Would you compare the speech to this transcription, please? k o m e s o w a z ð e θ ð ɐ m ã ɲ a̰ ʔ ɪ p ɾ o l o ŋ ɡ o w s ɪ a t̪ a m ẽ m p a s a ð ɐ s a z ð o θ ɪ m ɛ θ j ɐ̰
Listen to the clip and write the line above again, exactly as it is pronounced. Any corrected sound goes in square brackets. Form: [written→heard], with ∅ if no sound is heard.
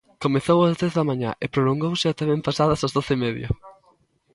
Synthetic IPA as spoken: k o m e [s→θ] o w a z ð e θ ð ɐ m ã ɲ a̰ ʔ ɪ p ɾ o l o ŋ ɡ o w s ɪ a t̪ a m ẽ m p a s a ð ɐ s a z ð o θ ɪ m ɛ [θ→ð] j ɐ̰